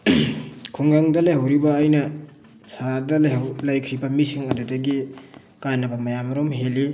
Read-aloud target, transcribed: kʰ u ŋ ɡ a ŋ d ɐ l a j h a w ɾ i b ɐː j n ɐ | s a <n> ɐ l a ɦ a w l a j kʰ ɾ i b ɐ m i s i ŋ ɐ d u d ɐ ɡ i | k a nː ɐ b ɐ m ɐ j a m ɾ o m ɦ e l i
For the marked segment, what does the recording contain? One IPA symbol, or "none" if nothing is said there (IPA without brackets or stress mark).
d